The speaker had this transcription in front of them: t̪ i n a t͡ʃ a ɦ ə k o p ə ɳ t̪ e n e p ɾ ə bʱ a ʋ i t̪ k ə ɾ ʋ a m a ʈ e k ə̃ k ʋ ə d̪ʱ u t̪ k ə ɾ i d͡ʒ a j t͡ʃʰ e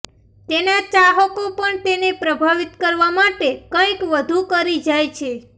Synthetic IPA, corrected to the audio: t̪ e n a t͡ʃ a ɦ ə k o p ə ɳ t̪ e n e p ɾ ə bʱ a ʋ i t̪ k ə ɾ ʋ a m a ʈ e k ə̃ k ʋ ə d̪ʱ u k ə ɾ i d͡ʒ a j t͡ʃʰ e